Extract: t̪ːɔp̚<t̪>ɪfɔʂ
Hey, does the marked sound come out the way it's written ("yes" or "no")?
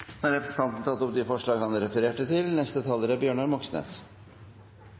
no